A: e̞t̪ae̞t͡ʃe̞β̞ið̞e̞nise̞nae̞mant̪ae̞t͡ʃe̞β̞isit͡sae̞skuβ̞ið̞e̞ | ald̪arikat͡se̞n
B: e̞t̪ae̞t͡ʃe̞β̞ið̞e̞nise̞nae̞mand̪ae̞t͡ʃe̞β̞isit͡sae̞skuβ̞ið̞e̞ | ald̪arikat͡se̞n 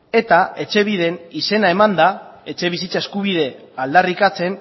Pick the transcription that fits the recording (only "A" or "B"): B